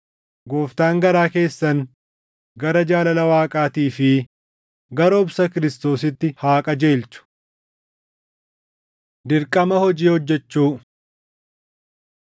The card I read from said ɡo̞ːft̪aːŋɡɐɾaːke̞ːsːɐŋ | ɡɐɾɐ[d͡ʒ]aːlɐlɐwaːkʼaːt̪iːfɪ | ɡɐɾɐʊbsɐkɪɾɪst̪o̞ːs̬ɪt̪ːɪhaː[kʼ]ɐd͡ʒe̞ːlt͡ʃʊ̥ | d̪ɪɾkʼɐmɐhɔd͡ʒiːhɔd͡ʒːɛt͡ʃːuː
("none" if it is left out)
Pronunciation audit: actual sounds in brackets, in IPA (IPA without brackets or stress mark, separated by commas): d͡ʒ, kʼ